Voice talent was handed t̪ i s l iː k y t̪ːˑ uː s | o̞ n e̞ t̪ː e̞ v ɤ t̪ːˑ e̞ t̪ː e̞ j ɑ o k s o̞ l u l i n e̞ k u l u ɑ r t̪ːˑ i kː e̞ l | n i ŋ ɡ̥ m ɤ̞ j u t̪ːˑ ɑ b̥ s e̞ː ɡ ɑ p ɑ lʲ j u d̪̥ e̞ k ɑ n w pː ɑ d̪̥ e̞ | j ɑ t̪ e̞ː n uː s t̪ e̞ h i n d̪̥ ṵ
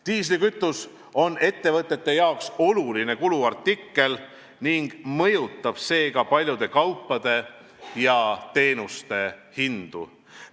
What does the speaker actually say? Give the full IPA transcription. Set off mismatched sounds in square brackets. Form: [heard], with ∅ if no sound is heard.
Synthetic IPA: t̪ [iː] s l [i] k y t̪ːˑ [u] s | o̞ n e̞ t̪ː e̞ v ɤ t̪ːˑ e̞ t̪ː e̞ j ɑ o k s o̞ l u l i n e̞ k u l u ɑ r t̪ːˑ i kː e̞ l | n i ŋ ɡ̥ m ɤ̞ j u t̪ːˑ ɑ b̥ s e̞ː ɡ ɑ p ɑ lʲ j u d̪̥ e̞ k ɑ [∅] w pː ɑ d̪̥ e̞ | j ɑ t̪ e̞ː n [u] s t̪ e̞ h i n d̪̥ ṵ